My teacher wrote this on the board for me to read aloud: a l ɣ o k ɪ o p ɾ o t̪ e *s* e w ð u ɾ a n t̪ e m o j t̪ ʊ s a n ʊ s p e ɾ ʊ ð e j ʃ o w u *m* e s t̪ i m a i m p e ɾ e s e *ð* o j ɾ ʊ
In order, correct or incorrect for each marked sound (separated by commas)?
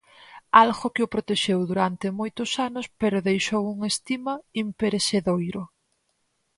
incorrect, incorrect, correct